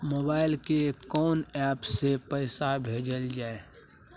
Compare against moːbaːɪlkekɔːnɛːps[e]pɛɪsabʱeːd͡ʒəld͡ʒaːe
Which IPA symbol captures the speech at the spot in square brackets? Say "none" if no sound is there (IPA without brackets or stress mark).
e